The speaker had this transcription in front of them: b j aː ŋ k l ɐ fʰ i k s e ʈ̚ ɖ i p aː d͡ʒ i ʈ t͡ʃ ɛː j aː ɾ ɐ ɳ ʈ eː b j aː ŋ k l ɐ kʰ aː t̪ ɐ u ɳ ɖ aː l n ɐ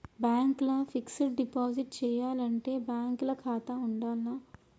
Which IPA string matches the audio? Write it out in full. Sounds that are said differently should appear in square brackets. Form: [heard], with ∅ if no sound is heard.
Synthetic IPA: b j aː ŋ k l ɐ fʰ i k s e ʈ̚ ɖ i p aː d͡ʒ i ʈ t͡ʃ ɛː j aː [l] ɐ ɳ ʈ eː b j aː ŋ k l ɐ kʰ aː t̪ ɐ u ɳ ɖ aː l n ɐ